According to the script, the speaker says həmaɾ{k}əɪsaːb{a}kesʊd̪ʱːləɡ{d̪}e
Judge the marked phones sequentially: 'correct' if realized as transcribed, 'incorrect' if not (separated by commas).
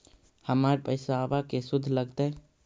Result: incorrect, correct, incorrect